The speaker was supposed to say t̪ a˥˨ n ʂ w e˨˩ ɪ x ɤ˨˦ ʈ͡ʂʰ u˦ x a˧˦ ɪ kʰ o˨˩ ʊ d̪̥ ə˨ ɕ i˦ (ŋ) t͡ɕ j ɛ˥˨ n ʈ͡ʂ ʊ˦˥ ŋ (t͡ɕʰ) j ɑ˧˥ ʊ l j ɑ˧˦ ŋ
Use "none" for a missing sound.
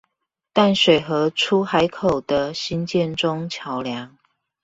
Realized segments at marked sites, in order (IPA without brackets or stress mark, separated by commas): n, t͡ɕʰ